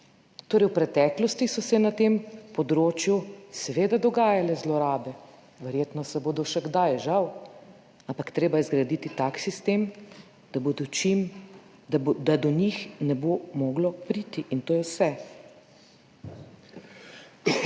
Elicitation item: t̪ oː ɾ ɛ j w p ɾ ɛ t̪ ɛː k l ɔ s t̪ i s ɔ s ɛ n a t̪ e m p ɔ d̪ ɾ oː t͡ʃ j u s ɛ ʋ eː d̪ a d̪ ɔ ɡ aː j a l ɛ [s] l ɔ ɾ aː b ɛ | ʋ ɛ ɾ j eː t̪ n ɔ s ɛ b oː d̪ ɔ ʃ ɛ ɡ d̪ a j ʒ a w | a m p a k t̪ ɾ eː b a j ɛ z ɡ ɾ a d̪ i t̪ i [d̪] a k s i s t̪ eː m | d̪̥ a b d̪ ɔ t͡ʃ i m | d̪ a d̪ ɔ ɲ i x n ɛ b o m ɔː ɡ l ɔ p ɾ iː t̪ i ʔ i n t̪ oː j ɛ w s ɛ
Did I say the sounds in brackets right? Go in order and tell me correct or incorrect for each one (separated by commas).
incorrect, incorrect